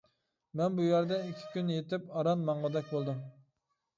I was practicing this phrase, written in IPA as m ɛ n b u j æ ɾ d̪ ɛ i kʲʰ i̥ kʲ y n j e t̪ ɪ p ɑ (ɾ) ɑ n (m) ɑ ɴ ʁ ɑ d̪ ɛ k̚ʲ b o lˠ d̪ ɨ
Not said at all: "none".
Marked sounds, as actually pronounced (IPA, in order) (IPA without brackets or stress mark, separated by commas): ɾ, m